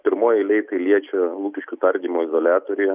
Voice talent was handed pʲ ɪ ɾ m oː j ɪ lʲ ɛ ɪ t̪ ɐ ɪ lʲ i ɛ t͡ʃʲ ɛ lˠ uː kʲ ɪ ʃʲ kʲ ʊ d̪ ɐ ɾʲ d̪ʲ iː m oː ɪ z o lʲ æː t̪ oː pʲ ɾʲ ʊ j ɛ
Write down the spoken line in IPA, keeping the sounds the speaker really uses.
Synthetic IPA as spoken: pʲ ɪ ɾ m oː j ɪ lʲ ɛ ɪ t̪ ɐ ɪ lʲ i ɛ t͡ʃʲ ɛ lˠ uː kʲ ɪ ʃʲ kʲ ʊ t̪ ɐ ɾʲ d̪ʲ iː m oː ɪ z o lʲ æː t̪ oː ɾʲ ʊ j ɛ